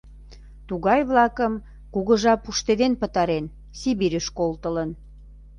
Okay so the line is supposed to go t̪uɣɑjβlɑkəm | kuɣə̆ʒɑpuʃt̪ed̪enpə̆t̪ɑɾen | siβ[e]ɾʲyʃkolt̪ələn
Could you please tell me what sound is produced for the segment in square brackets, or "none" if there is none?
i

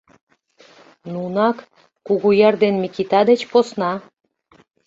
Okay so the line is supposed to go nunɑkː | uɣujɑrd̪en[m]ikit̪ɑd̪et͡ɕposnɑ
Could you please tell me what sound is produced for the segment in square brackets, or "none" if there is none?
m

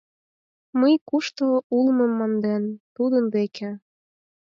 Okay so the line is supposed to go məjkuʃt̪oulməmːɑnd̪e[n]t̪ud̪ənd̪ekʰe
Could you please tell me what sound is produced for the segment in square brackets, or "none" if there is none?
n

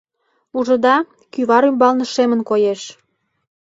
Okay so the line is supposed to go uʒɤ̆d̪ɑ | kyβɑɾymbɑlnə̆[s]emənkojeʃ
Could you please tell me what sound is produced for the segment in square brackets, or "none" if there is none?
ʃ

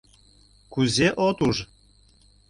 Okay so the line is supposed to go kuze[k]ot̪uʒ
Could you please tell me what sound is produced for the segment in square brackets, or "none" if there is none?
ʔ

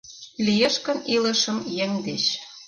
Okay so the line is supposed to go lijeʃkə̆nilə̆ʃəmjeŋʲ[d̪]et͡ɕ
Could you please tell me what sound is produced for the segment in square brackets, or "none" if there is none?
d̪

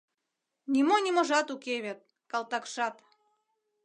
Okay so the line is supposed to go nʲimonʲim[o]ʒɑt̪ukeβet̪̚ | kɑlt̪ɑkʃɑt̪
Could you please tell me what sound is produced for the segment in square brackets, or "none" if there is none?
o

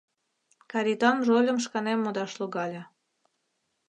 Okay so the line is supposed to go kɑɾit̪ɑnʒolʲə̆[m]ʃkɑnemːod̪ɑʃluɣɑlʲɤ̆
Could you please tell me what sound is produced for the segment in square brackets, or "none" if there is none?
m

